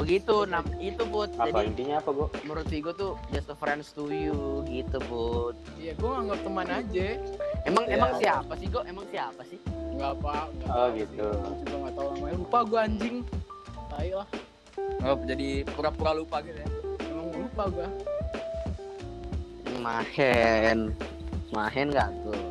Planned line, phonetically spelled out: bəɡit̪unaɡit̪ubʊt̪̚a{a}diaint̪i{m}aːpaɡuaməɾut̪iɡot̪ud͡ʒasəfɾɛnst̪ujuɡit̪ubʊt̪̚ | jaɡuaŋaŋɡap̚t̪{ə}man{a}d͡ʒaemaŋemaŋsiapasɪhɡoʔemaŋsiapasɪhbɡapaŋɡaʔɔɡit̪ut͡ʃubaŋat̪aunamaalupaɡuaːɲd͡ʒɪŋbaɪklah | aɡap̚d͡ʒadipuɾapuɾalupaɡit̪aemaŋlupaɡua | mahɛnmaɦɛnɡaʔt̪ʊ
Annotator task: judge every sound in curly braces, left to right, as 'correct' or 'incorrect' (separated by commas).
correct, incorrect, correct, correct